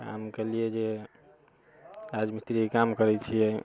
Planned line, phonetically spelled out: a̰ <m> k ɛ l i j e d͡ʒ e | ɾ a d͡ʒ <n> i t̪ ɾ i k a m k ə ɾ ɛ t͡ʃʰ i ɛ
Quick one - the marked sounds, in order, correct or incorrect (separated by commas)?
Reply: correct, incorrect